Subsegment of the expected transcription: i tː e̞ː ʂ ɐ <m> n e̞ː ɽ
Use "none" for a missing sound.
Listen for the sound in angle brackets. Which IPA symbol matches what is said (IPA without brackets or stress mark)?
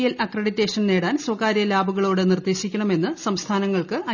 n